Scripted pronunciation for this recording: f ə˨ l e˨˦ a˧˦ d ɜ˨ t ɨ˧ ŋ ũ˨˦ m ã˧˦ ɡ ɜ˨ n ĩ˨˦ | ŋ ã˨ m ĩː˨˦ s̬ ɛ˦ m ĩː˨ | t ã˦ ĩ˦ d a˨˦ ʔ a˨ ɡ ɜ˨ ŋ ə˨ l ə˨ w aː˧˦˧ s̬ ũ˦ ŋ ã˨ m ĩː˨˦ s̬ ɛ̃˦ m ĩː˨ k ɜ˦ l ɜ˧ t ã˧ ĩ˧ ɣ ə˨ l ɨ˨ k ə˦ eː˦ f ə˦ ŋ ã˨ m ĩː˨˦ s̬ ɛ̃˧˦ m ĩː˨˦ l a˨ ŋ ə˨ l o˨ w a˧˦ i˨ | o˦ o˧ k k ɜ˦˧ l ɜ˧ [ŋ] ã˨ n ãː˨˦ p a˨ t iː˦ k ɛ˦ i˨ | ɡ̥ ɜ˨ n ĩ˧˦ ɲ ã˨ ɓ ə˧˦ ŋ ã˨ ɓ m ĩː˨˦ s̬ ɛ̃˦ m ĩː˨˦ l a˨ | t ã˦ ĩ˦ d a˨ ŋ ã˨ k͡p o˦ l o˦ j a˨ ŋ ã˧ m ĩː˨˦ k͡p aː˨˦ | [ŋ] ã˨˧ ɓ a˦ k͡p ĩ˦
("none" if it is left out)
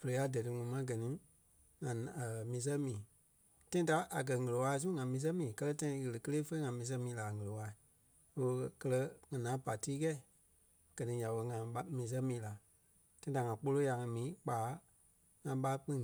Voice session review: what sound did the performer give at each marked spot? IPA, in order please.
ŋ, ŋ

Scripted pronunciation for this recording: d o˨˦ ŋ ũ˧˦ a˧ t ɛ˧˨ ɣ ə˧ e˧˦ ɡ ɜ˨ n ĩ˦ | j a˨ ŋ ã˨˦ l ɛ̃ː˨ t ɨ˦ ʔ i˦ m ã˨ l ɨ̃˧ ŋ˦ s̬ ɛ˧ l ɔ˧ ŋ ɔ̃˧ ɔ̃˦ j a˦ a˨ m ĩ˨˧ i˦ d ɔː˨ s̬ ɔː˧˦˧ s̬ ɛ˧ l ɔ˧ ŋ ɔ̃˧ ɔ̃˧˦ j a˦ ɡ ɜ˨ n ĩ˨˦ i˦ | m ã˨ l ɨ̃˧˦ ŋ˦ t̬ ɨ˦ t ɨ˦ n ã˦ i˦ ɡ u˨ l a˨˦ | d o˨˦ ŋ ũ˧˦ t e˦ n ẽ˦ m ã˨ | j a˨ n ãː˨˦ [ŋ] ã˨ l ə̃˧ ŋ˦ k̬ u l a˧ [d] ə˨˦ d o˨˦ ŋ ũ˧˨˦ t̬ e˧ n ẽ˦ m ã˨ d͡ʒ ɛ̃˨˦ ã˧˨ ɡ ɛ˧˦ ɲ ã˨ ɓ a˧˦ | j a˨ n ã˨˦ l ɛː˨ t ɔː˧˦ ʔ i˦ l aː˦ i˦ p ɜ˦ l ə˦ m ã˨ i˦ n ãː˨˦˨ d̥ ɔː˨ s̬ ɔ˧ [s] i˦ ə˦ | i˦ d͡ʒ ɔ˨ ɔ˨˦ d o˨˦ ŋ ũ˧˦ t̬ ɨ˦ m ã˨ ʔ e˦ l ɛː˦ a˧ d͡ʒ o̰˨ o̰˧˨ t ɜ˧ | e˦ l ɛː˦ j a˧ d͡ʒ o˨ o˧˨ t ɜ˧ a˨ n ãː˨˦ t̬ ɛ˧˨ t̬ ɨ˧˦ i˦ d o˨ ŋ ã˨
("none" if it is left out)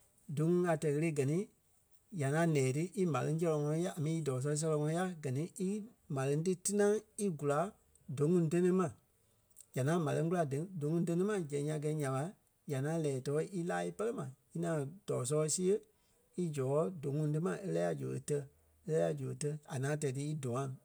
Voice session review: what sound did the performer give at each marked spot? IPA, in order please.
m, d, s

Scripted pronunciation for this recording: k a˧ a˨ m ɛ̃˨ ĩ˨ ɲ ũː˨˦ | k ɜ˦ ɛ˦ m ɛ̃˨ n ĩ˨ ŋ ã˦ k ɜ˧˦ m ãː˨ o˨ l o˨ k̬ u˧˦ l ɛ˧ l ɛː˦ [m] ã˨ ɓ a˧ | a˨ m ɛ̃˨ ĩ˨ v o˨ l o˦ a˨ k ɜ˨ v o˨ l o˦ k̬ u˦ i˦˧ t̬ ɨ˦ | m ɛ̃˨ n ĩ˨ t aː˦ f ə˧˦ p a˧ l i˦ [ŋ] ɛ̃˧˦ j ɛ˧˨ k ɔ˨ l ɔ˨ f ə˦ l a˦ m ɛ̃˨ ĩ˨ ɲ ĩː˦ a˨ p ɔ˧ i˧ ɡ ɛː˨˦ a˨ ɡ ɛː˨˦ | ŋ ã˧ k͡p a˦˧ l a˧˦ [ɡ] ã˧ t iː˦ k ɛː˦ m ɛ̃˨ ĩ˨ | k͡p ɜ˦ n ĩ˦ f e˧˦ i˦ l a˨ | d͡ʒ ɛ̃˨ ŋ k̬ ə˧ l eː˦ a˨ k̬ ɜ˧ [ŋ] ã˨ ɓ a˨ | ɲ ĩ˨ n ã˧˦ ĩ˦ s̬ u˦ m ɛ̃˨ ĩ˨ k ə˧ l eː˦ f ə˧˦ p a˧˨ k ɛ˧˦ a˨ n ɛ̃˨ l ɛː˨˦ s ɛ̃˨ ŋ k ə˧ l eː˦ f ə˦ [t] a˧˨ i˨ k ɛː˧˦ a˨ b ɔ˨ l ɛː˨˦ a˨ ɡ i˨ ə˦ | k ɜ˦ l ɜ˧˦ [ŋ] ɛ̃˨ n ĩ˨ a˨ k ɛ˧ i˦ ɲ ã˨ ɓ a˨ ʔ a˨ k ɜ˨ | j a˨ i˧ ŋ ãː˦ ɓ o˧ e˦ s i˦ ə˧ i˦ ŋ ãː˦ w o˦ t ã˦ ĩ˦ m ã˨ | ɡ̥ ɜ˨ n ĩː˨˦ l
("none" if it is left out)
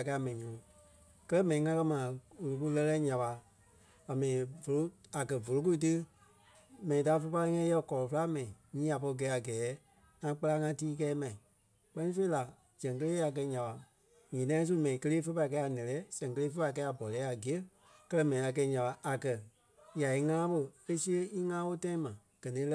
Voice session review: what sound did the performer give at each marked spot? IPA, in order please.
ɲ, ŋ, ŋ, ɲ, p, m

